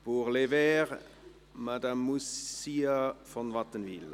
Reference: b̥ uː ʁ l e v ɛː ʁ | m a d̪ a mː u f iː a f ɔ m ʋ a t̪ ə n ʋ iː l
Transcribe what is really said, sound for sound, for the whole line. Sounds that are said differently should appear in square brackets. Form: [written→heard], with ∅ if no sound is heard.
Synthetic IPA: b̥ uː ʁ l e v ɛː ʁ | m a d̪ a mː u [f→s] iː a f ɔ [m→n] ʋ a t̪ ə n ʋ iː l